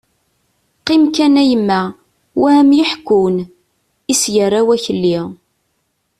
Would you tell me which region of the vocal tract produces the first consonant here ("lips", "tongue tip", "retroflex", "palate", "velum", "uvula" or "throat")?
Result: uvula